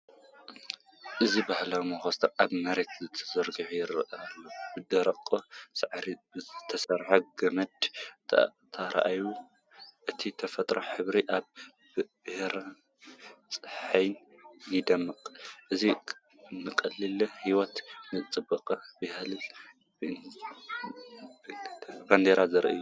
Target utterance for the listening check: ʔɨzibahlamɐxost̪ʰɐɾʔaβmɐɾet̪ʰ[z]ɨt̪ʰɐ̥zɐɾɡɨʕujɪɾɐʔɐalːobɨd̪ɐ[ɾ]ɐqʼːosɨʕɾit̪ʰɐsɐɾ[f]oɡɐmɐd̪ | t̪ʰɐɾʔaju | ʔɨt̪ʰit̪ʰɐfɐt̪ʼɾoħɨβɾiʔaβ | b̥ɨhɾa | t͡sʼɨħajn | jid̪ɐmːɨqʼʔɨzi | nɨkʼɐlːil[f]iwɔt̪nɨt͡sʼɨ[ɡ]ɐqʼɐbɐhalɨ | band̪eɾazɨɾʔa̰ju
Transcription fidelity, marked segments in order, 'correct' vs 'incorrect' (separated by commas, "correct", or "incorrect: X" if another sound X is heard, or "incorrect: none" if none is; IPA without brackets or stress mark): correct, correct, incorrect: ħ, incorrect: h, incorrect: b